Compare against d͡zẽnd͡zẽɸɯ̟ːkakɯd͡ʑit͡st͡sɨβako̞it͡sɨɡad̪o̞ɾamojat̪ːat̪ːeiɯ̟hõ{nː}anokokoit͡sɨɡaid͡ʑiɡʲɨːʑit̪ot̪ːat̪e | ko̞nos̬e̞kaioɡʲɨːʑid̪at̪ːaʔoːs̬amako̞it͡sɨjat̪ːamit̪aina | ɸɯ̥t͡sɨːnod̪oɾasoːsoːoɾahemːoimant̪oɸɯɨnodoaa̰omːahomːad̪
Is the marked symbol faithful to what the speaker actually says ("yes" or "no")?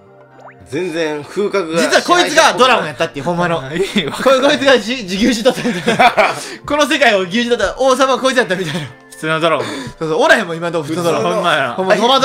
no